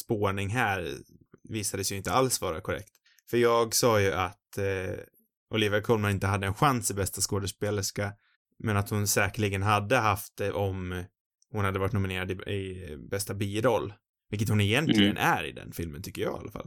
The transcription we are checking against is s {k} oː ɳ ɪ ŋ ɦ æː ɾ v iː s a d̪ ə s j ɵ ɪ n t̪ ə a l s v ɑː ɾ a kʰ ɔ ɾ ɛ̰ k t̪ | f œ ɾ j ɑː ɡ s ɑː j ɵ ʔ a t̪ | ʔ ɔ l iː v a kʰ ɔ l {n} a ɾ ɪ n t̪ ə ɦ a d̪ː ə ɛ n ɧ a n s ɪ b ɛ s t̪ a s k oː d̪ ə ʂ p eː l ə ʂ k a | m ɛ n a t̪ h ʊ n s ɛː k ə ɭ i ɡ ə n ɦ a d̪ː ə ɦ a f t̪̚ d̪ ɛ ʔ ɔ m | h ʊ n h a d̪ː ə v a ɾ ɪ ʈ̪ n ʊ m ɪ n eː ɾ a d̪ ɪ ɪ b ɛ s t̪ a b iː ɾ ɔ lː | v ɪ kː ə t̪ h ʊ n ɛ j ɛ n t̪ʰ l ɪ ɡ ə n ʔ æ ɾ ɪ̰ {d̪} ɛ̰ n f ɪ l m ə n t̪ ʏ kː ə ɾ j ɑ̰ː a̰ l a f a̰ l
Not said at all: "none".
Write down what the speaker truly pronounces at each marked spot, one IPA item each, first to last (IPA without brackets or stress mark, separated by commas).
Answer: p, m, d̪